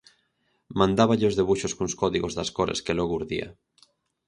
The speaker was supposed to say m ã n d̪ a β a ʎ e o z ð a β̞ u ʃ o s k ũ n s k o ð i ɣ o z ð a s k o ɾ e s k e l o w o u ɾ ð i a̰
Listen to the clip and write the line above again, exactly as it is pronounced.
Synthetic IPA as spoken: m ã n d̪ a β a ʎ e o z ð e β̞ u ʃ o s k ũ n s k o ð i ɣ o z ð a s k o ɾ e s k e l o ɣ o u ɾ ð i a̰